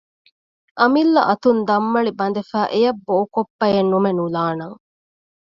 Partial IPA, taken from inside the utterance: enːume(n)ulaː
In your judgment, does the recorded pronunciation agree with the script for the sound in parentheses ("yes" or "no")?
yes